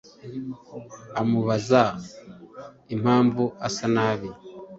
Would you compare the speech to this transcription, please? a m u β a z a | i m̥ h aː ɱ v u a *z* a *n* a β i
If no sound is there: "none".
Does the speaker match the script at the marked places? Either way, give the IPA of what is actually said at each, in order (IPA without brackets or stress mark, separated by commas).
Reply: s, n